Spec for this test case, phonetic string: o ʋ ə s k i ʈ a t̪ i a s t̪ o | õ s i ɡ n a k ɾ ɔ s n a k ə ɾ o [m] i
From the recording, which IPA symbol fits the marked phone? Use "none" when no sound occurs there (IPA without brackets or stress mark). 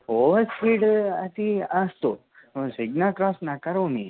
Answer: n